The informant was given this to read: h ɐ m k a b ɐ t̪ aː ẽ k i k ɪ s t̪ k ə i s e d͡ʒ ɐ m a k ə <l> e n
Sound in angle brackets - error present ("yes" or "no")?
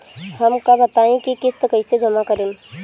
yes